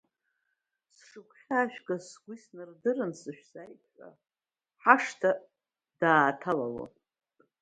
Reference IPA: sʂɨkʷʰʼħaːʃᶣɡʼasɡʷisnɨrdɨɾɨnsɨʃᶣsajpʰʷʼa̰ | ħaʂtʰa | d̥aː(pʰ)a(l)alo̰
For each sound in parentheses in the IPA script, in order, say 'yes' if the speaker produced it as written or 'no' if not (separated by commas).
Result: no, yes